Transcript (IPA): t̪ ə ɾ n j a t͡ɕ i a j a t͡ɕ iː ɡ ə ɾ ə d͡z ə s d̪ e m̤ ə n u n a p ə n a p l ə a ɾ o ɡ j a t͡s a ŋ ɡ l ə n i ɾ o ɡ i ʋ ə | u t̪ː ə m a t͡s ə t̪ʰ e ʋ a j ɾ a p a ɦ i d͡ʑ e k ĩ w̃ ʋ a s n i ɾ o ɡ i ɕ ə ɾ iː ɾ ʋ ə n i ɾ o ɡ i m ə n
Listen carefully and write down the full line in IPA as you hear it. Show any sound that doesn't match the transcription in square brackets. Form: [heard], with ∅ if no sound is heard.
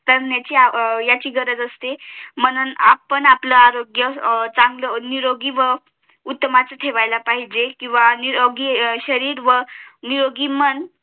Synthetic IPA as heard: t̪ ə ɾ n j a t͡ɕ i a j a t͡ɕ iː ɡ ə ɾ ə d͡z ə s [t̪] e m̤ ə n u n a p ə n a p l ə a ɾ o ɡ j [ə] t͡s a ŋ ɡ l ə n i ɾ o ɡ i ʋ ə | u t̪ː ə m a t͡s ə t̪ʰ e ʋ a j [l] a p a ɦ i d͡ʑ e k ĩ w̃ ʋ a [∅] n i ɾ o ɡ i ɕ ə ɾ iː ɾ ʋ ə n i ɾ o ɡ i m ə n